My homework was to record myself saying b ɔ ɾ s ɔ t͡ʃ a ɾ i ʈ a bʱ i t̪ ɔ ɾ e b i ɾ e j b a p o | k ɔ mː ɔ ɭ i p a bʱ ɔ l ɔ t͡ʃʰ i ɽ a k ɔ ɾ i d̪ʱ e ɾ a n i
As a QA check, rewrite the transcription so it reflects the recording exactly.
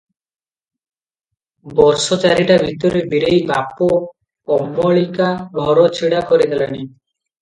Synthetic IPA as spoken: b ɔ ɾ s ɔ t͡ʃ a ɾ i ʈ a bʱ i t̪ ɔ ɾ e b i ɾ e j b a p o | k ɔ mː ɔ ɭ i k a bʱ ɔ ɾ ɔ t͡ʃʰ i ɽ a k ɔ ɾ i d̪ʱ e l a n i